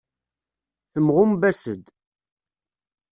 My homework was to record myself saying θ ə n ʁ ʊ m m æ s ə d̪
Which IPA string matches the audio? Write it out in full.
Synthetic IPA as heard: θ ə m ʁ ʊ m b æ s ə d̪